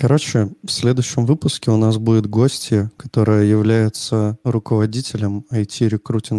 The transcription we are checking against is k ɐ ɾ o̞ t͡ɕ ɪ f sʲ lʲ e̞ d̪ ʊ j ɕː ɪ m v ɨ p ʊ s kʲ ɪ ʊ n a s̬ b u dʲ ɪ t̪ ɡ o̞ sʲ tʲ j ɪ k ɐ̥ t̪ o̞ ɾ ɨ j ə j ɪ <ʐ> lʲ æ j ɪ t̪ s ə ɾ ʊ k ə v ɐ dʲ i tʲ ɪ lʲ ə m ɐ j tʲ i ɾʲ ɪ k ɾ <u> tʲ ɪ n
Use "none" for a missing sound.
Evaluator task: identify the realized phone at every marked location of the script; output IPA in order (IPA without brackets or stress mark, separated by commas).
v, u